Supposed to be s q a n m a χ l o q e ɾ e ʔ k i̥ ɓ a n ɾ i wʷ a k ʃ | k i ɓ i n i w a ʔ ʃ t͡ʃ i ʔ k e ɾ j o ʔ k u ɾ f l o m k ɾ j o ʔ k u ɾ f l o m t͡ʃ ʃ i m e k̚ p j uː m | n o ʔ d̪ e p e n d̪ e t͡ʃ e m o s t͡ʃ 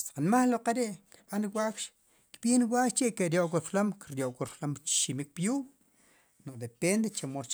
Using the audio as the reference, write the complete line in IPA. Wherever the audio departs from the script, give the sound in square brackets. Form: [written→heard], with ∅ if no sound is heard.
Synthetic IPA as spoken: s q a n m a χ l o q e ɾ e ʔ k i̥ ɓ a n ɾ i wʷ a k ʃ | k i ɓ i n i w a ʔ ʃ t͡ʃ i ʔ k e ɾ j o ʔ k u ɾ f l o m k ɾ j o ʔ k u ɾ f l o m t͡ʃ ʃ i m [e→i] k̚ p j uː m | n o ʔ d̪ e p e n d̪ e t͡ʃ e m o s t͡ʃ